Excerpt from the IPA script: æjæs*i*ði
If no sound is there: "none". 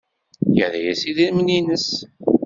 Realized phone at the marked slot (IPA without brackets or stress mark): i